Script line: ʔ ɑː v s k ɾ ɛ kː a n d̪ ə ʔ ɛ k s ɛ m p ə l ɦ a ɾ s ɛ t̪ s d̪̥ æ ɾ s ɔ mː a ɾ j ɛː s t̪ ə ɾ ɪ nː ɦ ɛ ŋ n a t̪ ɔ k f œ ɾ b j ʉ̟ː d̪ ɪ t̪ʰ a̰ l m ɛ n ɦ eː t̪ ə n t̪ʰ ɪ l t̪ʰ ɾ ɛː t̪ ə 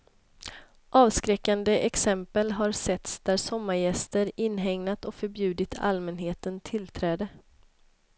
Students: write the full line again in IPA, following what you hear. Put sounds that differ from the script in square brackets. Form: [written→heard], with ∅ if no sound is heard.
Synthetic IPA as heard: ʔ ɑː v s k ɾ ɛ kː a n d̪ ə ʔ ɛ k s ɛ m p ə l ɦ a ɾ s ɛ t̪ s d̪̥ æ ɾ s ɔ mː a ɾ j [ɛː→ɛ] s t̪ ə ɾ ɪ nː ɦ ɛ ŋ n a t̪ ɔ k f œ ɾ b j ʉ̟ː d̪ ɪ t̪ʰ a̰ l m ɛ n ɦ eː t̪ ə n t̪ʰ ɪ l t̪ʰ ɾ ɛː [t̪→d̪] ə